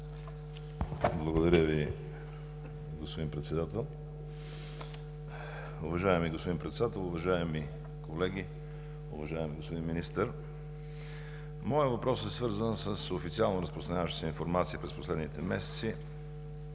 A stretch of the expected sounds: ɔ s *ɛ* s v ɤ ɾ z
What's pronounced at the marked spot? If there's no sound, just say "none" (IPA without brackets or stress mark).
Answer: ɛ